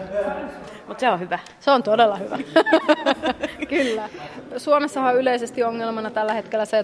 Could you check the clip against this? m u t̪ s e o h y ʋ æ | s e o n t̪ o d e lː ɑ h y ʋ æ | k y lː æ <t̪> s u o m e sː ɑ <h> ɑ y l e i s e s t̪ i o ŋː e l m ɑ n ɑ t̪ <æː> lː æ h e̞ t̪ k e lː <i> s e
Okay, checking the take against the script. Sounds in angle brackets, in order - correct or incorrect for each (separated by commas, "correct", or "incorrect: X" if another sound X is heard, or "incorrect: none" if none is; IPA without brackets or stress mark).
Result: incorrect: none, correct, incorrect: æ, incorrect: æ